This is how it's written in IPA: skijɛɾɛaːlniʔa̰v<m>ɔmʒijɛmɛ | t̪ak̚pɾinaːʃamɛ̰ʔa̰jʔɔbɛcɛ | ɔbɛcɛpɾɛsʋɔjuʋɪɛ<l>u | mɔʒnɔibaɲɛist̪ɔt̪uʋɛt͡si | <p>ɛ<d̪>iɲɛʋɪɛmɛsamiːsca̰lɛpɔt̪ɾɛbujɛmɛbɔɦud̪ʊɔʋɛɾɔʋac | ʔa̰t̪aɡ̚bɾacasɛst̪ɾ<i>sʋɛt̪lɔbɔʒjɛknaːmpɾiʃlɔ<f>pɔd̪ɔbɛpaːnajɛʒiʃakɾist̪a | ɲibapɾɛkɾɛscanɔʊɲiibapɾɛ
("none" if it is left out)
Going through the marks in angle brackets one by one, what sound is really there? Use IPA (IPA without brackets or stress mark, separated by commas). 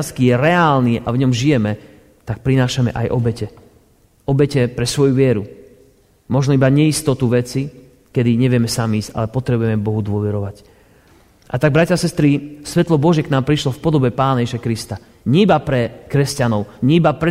ɲ, ɾ, k, d̪, i, f